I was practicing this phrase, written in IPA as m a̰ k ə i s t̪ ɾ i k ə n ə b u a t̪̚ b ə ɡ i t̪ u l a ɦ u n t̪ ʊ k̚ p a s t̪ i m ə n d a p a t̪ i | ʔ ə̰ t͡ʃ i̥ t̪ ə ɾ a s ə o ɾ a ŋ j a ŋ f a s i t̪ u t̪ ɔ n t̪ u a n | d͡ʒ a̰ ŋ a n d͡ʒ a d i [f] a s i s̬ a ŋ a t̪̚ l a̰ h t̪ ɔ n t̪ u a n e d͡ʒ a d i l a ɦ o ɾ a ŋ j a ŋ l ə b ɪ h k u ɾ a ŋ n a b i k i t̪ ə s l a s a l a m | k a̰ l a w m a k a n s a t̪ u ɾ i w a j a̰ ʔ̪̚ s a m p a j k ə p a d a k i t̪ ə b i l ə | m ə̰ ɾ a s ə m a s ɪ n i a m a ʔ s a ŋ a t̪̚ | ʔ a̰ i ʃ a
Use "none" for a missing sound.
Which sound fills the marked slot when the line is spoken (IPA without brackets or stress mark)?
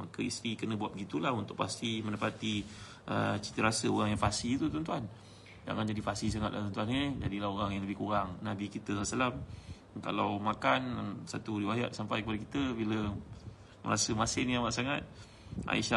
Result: f